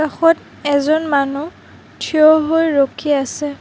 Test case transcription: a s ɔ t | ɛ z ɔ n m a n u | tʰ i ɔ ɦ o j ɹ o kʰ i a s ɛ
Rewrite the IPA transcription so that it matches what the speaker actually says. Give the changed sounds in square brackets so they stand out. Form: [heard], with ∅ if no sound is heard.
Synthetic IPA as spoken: a [x] ɔ t | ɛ z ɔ n m a n u | tʰ i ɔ ɦ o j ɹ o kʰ i a s ɛ